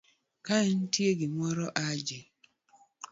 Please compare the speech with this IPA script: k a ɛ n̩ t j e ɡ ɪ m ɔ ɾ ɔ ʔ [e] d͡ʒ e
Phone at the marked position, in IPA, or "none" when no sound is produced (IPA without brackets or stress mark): a